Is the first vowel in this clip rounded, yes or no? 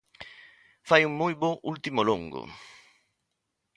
no